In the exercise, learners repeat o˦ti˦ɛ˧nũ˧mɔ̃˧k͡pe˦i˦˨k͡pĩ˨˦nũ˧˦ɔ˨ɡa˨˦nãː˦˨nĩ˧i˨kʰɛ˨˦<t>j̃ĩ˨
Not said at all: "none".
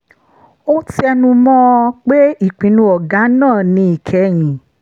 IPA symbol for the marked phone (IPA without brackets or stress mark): none